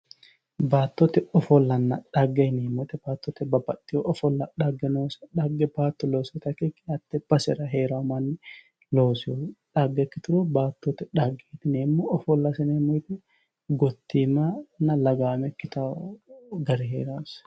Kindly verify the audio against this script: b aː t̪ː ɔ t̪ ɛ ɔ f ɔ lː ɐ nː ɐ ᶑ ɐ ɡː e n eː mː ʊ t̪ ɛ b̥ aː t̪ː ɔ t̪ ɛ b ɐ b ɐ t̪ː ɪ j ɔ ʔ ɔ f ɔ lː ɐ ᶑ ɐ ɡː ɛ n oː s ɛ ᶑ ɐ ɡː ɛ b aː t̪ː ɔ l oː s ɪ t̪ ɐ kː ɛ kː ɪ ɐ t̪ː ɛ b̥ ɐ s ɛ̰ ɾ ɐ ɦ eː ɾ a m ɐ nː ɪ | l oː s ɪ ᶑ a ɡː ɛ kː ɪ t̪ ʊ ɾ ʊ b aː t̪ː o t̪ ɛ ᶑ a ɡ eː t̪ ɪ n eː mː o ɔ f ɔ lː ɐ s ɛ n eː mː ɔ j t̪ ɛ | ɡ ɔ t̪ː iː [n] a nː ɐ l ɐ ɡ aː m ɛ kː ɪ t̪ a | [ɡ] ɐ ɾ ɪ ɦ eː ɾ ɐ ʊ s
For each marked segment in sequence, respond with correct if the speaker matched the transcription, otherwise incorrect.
incorrect: m, correct

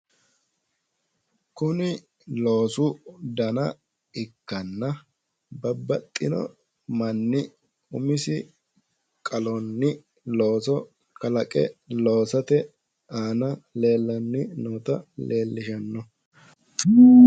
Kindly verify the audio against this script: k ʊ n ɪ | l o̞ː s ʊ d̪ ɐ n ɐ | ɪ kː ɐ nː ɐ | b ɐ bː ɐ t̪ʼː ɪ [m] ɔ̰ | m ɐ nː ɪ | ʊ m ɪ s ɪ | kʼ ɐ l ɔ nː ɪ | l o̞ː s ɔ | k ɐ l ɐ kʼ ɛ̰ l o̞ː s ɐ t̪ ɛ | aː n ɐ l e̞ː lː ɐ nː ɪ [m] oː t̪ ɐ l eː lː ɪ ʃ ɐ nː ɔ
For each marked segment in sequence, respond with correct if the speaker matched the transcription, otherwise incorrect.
incorrect: n, incorrect: n

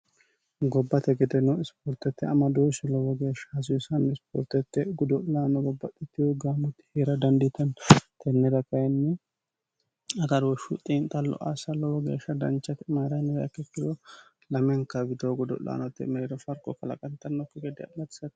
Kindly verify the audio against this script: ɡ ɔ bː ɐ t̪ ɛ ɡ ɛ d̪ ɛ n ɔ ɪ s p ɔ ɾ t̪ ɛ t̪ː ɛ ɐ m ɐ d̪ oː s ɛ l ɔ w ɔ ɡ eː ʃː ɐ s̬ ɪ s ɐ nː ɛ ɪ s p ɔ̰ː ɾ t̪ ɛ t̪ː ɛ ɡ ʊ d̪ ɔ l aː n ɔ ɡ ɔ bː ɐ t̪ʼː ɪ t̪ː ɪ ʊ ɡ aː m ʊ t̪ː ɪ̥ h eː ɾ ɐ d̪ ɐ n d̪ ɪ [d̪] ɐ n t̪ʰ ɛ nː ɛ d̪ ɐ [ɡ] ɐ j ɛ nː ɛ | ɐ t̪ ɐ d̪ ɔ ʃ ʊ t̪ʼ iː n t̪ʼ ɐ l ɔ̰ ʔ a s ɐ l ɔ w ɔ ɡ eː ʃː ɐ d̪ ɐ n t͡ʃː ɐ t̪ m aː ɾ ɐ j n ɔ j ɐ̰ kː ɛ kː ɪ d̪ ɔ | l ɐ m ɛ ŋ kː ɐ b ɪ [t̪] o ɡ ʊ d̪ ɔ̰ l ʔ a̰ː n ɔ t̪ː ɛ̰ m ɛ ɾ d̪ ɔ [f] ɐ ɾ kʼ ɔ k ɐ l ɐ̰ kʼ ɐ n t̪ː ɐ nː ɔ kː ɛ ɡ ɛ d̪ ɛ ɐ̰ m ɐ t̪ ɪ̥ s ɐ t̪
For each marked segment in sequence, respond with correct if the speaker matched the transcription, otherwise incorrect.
incorrect: t̪, incorrect: k, incorrect: d̪, correct

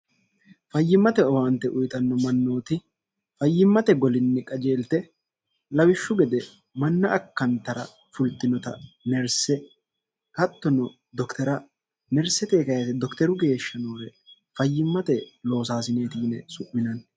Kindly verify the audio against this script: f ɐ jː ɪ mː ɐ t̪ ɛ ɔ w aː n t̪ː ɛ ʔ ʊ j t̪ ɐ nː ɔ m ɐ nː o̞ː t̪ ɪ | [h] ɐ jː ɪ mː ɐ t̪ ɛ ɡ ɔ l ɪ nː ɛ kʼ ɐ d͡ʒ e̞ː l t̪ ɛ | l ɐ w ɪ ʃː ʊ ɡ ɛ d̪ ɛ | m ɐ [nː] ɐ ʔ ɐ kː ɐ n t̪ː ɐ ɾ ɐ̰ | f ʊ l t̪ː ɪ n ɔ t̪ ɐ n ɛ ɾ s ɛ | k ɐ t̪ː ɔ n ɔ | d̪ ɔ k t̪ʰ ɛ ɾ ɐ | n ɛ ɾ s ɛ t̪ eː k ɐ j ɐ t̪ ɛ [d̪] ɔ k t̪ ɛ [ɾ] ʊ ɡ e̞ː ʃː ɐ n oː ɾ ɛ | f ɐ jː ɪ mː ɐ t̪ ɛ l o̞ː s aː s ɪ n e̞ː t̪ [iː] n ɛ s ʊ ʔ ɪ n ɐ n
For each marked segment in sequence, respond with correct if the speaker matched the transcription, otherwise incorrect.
incorrect: f, correct, correct, correct, correct

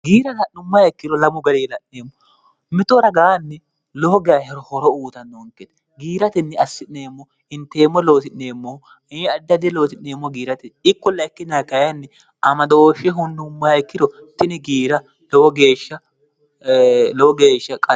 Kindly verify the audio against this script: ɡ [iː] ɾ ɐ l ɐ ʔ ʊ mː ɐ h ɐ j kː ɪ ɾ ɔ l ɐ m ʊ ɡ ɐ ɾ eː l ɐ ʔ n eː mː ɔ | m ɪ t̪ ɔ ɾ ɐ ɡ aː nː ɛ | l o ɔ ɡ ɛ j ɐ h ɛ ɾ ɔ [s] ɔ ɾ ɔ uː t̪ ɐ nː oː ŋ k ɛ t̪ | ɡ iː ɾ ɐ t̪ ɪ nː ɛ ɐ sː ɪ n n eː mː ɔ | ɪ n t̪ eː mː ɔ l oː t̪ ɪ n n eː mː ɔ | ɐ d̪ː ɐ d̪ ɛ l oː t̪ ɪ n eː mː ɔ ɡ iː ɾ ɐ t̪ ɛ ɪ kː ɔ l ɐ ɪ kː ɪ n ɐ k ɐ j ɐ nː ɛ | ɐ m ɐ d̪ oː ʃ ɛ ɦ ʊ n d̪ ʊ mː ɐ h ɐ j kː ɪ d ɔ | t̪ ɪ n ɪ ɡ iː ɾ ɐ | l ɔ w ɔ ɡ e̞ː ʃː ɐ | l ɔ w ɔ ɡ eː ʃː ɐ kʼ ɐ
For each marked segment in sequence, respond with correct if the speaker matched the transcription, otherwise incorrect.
correct, incorrect: h

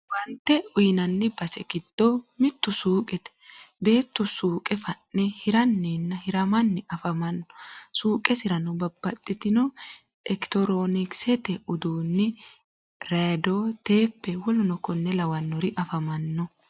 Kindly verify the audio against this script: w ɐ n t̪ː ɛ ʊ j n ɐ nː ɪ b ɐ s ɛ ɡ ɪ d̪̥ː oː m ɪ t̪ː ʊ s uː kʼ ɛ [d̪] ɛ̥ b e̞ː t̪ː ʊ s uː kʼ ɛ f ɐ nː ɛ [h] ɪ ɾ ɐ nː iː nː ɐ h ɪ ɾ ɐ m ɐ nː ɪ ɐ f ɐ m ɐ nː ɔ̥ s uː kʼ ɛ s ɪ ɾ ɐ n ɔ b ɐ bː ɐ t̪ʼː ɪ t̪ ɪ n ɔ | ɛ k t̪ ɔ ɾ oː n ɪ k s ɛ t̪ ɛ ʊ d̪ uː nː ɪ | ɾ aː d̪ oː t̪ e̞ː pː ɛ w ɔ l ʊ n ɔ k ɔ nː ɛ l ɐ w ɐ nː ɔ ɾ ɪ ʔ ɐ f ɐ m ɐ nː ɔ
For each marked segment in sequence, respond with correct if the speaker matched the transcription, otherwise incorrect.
incorrect: t̪, correct

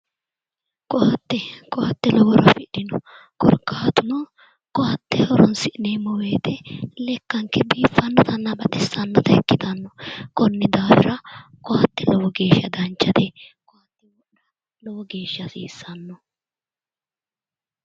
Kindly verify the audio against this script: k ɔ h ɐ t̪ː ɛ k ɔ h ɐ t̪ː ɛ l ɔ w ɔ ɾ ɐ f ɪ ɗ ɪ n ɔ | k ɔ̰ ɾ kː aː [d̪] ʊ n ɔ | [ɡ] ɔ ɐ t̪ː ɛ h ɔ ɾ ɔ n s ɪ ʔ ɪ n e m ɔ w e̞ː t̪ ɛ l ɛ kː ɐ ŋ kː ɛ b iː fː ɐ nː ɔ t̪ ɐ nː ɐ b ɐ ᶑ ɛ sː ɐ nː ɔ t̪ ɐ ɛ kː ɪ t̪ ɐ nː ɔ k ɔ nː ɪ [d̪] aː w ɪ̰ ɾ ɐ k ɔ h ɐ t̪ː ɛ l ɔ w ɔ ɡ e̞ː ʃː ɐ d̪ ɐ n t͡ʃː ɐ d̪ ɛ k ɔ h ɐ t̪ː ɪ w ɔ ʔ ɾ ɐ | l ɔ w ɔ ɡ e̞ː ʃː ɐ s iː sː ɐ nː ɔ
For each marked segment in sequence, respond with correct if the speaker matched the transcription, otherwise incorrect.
incorrect: t̪, incorrect: k, correct

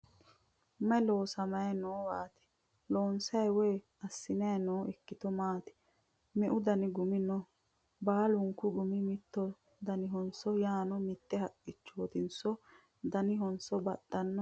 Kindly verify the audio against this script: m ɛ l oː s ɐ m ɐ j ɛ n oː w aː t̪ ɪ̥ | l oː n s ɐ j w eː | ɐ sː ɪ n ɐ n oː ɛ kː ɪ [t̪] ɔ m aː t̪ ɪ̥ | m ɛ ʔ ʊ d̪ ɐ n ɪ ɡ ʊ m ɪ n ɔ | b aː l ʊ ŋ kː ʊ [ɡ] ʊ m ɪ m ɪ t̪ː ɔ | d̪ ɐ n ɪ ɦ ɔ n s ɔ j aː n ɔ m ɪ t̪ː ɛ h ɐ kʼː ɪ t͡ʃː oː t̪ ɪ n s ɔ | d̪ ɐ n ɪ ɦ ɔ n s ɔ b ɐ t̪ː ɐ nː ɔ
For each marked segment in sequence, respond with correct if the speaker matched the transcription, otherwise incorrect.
correct, correct

